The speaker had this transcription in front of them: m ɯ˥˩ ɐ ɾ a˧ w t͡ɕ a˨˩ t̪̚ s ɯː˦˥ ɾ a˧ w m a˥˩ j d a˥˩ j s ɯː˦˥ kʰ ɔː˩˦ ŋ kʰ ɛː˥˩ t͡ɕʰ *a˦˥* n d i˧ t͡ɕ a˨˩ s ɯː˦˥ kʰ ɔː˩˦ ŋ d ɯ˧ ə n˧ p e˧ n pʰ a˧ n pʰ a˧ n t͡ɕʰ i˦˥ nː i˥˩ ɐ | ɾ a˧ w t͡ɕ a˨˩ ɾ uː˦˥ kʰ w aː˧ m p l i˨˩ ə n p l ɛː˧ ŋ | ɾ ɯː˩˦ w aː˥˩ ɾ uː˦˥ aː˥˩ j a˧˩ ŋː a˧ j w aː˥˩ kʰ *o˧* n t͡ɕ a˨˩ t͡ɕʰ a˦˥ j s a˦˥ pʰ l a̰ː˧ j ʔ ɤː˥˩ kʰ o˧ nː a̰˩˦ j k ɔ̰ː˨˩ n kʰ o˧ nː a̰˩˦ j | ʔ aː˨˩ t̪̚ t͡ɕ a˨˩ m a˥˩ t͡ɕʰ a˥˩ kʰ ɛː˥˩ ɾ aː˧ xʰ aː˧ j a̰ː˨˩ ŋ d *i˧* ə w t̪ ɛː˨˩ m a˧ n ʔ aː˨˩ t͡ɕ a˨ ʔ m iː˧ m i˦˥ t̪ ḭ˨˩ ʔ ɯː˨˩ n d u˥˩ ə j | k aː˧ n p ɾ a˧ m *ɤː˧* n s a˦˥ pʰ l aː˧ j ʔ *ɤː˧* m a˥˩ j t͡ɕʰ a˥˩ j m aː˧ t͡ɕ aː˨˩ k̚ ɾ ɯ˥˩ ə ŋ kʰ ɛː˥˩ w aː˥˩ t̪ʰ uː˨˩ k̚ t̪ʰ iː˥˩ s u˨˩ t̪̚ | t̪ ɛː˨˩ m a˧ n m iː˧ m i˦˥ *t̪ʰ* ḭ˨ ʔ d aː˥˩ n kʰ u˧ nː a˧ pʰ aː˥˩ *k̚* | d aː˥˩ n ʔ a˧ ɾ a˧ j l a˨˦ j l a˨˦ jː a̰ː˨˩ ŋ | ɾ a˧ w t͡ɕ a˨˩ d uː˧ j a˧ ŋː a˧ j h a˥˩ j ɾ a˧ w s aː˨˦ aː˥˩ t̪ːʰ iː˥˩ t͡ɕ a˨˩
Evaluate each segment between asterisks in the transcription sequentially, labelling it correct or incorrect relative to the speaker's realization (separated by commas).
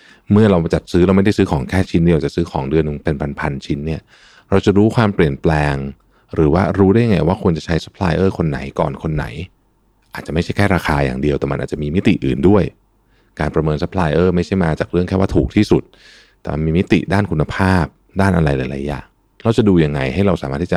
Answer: incorrect, incorrect, correct, correct, incorrect, incorrect, incorrect